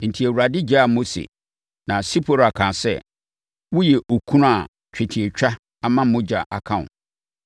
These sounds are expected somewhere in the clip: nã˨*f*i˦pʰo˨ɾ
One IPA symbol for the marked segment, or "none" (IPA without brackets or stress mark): s